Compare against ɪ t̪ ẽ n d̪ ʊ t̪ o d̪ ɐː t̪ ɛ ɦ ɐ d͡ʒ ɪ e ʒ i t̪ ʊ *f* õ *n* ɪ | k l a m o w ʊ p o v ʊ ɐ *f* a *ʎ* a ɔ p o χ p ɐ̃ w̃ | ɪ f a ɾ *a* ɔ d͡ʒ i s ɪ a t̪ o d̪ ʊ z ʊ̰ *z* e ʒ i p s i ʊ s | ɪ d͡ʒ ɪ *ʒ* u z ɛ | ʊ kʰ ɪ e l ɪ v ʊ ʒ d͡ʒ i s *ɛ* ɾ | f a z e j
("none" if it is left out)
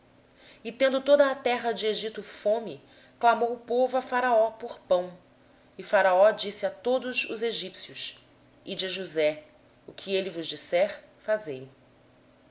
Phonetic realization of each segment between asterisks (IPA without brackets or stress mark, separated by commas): f, m, f, ɾ, a, z, ʒ, ɛ